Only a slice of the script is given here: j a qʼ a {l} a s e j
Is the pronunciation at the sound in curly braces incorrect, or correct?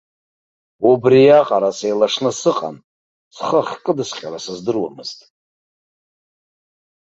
incorrect